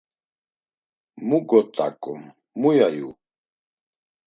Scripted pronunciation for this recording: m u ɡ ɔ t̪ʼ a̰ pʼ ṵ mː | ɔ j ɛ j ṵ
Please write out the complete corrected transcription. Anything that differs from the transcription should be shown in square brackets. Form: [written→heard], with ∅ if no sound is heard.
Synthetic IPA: m u ɡ ɔ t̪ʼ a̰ [pʼ→kʼ] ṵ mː | [ɔ→u] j [ɛ→a] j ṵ